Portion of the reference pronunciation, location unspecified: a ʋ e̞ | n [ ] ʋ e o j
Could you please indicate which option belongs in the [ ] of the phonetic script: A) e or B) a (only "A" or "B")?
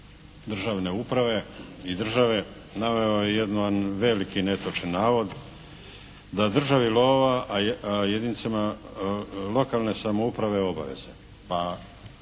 B